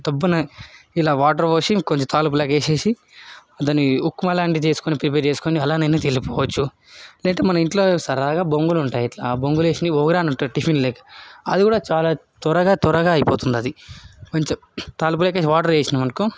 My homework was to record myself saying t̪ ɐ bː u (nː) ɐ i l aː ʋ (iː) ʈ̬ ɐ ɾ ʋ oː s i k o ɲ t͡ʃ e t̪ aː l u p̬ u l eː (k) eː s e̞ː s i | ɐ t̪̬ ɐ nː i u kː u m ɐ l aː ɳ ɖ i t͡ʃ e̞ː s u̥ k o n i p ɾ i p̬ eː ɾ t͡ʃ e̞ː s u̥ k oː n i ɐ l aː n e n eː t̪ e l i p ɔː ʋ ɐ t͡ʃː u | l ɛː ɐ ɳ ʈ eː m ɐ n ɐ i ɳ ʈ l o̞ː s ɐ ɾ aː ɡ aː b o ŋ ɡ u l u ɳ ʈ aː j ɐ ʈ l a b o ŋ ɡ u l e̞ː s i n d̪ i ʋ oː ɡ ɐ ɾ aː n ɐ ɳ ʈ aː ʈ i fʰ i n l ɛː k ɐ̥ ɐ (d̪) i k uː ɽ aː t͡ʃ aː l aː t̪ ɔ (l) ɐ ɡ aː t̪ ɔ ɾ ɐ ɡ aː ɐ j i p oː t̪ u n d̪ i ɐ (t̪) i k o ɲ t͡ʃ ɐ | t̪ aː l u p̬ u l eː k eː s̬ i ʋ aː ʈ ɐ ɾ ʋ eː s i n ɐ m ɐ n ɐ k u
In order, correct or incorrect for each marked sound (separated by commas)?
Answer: incorrect, incorrect, correct, correct, incorrect, incorrect